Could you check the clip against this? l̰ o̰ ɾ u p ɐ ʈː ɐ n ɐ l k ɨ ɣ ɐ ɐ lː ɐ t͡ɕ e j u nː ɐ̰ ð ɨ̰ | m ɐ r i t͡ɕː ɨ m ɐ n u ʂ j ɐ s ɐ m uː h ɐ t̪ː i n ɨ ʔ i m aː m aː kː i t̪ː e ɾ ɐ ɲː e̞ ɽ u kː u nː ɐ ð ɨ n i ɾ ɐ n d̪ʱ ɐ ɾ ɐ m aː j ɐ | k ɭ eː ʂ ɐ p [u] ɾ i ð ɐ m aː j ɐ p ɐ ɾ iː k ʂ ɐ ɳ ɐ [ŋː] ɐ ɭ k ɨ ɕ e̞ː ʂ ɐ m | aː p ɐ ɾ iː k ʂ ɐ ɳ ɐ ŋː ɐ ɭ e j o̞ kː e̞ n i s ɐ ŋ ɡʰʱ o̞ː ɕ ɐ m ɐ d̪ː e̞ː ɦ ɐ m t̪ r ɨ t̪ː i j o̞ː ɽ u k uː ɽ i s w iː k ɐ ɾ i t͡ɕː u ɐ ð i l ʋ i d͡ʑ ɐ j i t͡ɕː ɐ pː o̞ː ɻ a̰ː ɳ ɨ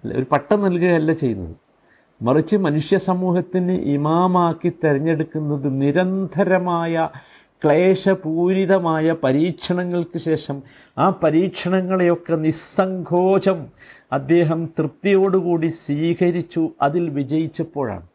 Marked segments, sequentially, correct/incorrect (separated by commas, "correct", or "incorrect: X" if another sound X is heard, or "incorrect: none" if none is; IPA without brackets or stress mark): incorrect: uː, correct